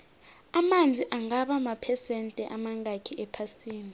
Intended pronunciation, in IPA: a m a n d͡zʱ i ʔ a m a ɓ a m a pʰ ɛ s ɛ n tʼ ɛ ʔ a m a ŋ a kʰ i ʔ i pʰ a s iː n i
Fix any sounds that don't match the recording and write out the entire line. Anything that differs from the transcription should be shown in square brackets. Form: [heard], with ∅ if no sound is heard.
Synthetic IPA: a m a n d͡zʱ i ʔ a [ŋ] a ɓ a m a pʰ ɛ s ɛ n tʼ ɛ ʔ a m a ŋ a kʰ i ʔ [ɛ] pʰ a s iː n i